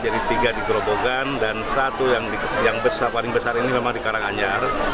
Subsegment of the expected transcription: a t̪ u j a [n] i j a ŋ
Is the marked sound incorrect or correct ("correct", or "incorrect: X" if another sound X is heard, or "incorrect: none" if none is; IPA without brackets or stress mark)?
incorrect: ŋ